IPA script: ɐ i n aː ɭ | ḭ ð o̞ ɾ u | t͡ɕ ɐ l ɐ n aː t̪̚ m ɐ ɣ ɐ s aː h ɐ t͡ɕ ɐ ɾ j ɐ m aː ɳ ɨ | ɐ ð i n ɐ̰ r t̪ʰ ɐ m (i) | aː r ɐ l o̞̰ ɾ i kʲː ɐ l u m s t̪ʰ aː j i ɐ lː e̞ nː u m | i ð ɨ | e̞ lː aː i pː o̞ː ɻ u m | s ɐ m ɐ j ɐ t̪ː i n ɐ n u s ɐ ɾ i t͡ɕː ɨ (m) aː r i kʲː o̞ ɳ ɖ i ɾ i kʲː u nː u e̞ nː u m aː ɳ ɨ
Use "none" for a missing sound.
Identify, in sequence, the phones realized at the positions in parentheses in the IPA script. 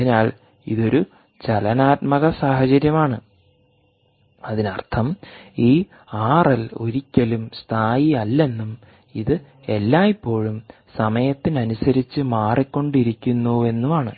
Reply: iː, m

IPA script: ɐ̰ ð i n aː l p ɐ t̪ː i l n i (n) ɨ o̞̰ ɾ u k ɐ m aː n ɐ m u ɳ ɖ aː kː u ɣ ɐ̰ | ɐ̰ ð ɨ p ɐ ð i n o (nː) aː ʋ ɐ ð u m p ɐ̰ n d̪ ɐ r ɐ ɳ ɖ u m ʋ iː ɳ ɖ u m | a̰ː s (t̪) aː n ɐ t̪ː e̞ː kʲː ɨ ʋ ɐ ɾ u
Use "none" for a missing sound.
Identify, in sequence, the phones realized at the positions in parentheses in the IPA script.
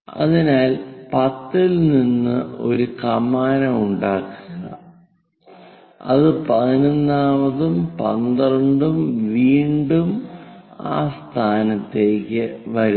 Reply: nː, nː, t̪ʰ

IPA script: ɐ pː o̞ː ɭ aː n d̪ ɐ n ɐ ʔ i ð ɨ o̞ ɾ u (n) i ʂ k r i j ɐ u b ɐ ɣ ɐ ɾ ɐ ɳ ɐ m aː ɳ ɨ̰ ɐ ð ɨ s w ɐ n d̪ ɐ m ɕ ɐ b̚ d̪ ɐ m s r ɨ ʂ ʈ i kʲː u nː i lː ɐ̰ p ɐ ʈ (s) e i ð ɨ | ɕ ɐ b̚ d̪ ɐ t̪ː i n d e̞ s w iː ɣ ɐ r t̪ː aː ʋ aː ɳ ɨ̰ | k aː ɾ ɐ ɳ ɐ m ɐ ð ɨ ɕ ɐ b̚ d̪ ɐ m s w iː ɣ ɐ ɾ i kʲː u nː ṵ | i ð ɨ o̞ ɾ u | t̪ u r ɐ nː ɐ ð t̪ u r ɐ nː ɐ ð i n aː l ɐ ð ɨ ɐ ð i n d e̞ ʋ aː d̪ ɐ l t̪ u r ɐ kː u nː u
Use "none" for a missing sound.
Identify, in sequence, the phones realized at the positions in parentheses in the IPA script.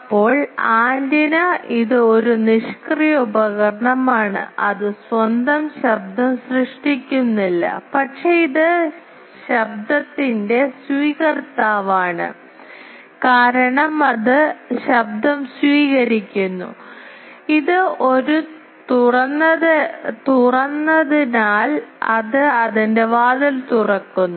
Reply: n, ʂ

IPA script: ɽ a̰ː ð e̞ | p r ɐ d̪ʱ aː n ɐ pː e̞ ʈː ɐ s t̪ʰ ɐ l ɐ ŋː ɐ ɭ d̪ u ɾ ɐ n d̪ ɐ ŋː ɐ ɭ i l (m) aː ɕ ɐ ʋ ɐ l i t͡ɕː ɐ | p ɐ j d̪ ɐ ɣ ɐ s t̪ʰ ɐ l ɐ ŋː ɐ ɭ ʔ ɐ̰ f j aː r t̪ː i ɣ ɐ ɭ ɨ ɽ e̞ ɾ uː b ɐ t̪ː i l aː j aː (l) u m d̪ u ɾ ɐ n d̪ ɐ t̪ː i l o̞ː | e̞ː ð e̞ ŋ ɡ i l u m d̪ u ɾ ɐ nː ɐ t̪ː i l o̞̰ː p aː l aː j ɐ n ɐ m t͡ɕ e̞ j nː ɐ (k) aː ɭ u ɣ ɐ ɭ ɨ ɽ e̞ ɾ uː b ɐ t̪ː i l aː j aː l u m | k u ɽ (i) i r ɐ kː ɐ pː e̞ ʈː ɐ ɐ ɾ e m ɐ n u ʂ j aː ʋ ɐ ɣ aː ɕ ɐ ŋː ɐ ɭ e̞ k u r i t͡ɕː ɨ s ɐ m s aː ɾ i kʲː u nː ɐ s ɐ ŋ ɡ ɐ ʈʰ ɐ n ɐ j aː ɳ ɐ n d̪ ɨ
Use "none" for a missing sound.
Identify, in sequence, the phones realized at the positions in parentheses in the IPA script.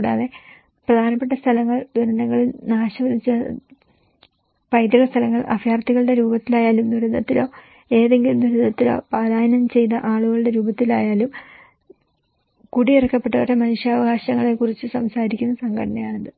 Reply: n, l, ʔ, i

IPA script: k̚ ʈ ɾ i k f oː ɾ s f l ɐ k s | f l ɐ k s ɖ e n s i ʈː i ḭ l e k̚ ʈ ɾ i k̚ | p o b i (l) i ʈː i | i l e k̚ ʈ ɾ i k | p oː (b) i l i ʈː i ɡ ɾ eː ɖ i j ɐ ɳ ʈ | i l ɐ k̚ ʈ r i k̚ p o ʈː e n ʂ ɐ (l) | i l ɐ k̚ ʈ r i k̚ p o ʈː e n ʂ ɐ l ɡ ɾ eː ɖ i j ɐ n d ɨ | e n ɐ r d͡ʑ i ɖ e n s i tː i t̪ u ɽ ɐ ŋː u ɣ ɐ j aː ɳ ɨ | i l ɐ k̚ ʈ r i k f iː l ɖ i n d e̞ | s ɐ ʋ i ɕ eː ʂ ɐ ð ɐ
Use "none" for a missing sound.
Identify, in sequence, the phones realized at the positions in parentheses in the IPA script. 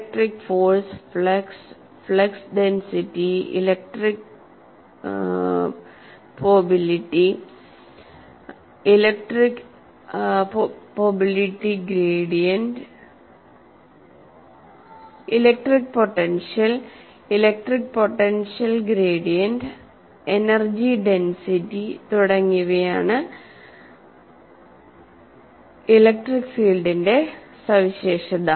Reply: l, b, l

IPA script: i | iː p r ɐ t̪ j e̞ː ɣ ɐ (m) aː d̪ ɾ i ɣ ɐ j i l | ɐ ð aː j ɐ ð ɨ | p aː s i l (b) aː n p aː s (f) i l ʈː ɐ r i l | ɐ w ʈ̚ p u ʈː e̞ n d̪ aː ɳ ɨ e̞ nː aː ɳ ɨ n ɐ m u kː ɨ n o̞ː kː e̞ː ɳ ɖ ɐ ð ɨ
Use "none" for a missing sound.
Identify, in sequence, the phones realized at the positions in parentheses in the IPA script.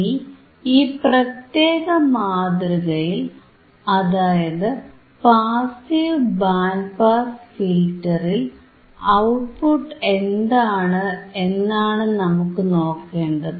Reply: m, b, f

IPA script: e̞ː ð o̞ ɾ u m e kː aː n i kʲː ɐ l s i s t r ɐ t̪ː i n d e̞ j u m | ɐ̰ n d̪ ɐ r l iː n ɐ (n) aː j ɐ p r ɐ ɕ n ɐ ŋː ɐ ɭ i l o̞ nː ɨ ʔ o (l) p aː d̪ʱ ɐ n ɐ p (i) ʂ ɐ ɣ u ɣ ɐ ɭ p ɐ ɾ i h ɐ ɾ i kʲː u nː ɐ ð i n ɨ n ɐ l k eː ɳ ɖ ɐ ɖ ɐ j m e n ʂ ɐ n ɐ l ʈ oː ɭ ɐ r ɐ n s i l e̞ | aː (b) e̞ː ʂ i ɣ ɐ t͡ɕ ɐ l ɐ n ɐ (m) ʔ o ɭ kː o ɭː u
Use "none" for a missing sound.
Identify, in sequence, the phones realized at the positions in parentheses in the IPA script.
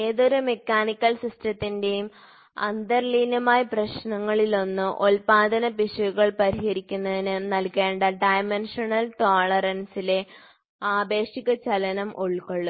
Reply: m, l, i, b, m

